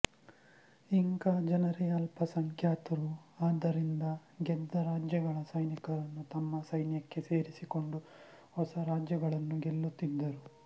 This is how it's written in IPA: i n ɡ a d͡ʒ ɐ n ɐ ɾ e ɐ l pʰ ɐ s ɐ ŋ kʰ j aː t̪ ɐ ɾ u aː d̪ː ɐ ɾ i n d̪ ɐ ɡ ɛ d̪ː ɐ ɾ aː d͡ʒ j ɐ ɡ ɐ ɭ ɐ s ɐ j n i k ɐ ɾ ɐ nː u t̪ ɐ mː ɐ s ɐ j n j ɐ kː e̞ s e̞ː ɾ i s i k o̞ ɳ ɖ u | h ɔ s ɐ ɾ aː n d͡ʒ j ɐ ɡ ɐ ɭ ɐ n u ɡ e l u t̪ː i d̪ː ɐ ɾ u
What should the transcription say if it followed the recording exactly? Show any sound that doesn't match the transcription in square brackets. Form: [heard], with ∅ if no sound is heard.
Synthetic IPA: i [ŋ] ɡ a d͡ʒ ɐ n ɐ ɾ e ɐ l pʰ ɐ s ɐ ŋ kʰ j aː t̪ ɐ ɾ u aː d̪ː ɐ ɾ i n d̪ ɐ ɡ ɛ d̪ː ɐ ɾ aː d͡ʒ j ɐ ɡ ɐ ɭ ɐ s ɐ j n i k ɐ ɾ ɐ nː u t̪ ɐ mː ɐ s ɐ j n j ɐ kː e̞ s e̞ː ɾ i s i k o̞ ɳ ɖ u | h ɔ s ɐ ɾ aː [∅] d͡ʒ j ɐ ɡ ɐ ɭ ɐ [nː] u ɡ e [lː] u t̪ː i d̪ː ɐ ɾ u